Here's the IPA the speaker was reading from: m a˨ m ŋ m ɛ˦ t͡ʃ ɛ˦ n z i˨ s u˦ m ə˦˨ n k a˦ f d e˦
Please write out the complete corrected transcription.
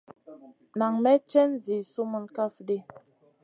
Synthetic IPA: n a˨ ŋ m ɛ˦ t͡ʃ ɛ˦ n z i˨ s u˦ m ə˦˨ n k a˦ f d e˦